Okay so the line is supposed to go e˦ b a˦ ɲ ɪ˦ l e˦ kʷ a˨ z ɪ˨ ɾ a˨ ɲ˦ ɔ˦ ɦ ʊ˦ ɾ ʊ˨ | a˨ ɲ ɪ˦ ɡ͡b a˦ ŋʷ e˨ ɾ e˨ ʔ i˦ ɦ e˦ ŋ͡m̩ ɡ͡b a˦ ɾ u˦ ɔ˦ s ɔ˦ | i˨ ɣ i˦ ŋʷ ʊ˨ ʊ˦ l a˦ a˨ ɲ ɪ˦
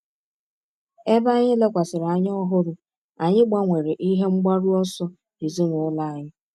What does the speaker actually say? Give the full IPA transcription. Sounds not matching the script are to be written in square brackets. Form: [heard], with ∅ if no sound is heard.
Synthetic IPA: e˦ b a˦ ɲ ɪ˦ l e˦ kʷ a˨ [s] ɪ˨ ɾ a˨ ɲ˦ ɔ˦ ɦ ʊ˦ ɾ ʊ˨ | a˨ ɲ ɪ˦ ɡ͡b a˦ ŋʷ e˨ ɾ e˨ ʔ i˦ ɦ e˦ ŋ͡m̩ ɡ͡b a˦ ɾ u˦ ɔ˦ s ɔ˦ | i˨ [z] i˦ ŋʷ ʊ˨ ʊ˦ l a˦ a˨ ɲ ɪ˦

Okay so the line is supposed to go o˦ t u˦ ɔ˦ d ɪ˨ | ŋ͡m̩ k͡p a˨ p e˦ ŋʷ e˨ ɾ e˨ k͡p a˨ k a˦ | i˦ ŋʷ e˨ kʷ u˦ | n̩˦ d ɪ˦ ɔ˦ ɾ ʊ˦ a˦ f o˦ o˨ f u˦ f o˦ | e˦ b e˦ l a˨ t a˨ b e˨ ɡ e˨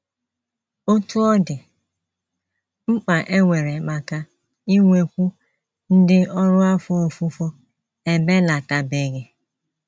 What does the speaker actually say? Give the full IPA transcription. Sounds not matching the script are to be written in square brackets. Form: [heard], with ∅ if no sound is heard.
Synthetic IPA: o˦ t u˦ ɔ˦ d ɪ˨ | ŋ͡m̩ k͡p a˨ [ʔ] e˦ ŋʷ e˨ ɾ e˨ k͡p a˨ k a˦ | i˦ ŋʷ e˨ kʷ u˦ | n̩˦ d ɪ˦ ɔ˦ ɾ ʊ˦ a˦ f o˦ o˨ f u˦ f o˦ | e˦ b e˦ l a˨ t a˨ b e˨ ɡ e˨

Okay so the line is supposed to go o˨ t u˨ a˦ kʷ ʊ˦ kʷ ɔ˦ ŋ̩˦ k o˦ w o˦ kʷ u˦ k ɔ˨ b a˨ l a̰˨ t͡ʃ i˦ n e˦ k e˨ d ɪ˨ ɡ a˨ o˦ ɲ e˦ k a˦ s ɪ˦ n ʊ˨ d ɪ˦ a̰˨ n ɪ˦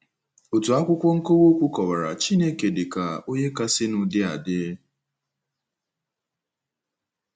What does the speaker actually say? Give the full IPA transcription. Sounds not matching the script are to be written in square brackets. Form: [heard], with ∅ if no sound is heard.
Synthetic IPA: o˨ t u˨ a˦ kʷ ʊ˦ kʷ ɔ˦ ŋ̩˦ k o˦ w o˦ kʷ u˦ k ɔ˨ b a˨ [ɾ] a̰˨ t͡ʃ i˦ n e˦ k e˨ d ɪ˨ [k] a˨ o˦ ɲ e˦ k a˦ s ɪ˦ n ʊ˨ d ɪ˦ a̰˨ [d] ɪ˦

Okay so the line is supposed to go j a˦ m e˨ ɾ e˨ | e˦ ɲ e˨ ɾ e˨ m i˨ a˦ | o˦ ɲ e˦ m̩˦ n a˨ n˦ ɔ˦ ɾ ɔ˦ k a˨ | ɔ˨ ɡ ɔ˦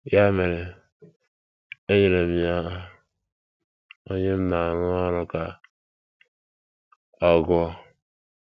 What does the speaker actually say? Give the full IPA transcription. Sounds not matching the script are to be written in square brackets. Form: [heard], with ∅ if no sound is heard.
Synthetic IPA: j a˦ m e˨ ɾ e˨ | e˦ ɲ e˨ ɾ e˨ m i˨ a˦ | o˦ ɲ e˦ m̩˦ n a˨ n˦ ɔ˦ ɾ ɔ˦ k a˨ | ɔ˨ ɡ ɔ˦

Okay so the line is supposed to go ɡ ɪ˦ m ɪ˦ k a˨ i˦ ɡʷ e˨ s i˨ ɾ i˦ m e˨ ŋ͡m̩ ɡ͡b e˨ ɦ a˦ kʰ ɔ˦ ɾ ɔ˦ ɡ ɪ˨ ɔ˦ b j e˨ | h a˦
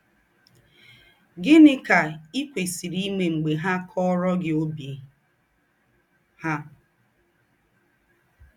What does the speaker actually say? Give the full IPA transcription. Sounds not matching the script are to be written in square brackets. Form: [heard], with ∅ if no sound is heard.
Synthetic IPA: ɡ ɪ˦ [n] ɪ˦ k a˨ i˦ [kʷ] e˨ s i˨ ɾ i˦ m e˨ ŋ͡m̩ ɡ͡b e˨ ɦ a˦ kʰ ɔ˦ ɾ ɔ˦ ɡ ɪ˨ [o˦] b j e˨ | h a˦

